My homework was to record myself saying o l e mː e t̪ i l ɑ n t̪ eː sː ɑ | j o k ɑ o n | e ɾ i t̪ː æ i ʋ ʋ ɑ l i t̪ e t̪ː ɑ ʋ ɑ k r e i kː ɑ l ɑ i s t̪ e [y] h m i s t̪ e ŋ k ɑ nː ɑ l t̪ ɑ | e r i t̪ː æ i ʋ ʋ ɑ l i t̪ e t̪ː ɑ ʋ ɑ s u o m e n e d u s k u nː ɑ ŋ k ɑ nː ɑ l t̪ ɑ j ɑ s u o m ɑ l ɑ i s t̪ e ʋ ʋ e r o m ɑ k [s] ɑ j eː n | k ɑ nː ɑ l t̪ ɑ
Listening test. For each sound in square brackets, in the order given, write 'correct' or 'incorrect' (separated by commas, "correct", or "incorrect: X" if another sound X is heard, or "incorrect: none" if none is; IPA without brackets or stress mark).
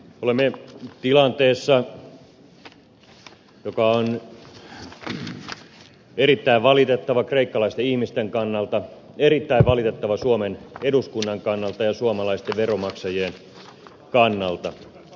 incorrect: i, correct